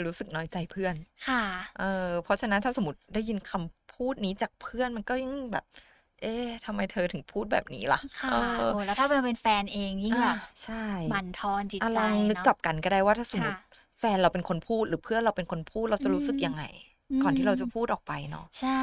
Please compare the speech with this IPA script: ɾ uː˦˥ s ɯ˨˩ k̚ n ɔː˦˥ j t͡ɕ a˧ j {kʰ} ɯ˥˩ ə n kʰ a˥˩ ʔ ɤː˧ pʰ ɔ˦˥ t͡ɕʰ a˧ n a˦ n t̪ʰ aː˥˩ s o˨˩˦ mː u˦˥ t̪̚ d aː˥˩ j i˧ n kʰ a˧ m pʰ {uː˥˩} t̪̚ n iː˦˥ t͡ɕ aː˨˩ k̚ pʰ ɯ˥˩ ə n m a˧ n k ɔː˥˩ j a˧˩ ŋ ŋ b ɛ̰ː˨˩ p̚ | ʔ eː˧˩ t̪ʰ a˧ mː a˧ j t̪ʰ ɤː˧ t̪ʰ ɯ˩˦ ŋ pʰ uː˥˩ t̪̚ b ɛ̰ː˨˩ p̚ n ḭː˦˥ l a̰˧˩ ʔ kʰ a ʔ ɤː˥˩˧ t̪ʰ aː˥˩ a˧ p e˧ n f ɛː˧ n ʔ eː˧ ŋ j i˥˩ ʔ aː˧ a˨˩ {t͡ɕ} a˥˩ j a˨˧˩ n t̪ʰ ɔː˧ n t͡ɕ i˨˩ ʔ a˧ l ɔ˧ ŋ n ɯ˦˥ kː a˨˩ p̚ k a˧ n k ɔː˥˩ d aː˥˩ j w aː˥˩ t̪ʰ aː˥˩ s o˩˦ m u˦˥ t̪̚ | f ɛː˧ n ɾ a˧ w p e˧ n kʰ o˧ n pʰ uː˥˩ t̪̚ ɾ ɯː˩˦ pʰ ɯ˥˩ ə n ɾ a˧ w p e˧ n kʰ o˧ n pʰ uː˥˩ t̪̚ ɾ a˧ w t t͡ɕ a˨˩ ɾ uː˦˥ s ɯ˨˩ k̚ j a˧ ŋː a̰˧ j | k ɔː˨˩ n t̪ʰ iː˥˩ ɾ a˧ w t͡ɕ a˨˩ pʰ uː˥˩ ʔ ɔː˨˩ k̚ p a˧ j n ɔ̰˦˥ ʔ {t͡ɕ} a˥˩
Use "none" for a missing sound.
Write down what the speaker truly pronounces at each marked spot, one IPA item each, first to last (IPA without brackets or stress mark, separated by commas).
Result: pʰ, uː˥˩, t͡ɕʰ, t͡ɕʰ